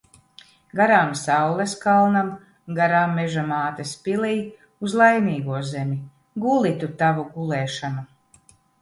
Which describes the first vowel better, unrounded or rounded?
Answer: unrounded